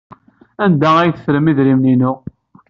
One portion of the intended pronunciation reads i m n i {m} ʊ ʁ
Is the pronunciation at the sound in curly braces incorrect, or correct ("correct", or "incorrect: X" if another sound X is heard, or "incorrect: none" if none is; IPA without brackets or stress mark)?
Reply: incorrect: n